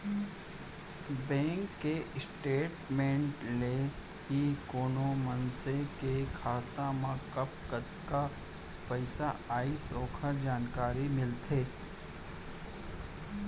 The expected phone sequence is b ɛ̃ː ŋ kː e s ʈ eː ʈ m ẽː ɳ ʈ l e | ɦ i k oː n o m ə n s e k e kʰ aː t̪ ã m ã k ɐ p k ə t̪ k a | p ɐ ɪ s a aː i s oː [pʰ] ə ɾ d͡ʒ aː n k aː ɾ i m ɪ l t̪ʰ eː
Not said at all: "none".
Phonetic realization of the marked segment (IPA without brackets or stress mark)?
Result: kʰ